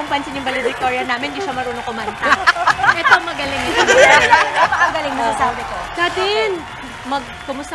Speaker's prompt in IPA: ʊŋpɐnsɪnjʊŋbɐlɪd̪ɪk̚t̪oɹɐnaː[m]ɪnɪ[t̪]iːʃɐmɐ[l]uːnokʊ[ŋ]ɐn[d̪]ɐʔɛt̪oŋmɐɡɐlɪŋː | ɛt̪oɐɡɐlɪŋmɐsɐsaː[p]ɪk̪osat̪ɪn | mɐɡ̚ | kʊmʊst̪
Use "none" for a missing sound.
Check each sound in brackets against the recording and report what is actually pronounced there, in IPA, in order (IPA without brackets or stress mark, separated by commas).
m, d̪, ɾ, m, t̪, b